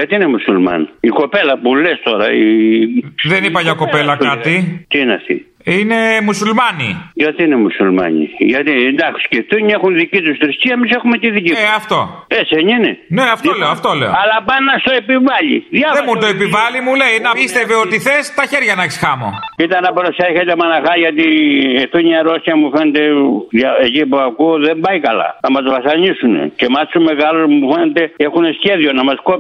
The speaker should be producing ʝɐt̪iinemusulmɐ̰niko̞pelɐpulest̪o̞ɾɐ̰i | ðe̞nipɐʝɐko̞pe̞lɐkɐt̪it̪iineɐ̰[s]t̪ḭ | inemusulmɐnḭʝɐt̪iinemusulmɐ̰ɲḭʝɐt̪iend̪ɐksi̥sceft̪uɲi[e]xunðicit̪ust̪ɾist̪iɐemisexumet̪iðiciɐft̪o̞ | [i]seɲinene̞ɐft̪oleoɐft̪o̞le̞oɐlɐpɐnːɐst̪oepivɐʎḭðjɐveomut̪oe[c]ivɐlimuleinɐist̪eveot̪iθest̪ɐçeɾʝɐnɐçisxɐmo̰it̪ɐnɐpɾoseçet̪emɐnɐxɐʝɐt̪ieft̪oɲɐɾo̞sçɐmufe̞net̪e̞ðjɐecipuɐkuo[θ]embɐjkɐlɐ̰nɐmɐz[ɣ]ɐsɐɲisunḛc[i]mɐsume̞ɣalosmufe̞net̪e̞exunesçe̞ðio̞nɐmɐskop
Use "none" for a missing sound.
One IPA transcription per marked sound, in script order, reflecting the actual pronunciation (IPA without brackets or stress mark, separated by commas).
f, e, e, p, ð, v, e